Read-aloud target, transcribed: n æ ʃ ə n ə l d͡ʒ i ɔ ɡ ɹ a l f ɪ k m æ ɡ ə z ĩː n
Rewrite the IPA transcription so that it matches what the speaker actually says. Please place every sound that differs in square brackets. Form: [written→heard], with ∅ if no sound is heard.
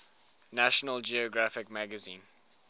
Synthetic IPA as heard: n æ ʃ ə n ə l d͡ʒ i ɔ ɡ ɹ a [l→∅] f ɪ k m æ ɡ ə z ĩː n